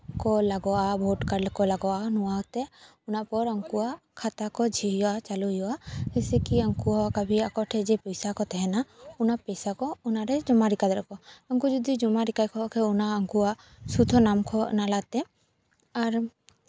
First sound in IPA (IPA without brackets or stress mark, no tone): k